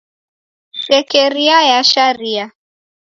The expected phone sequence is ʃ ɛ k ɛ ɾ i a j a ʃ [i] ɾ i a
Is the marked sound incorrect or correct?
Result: incorrect